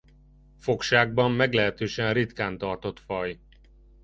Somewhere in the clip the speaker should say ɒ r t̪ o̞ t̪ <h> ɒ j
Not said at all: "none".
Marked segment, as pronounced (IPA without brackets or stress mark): f